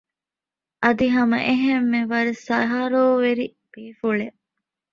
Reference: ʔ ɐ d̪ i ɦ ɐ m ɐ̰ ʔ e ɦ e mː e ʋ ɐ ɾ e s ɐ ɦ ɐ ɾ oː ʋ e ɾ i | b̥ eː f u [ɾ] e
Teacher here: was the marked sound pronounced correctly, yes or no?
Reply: no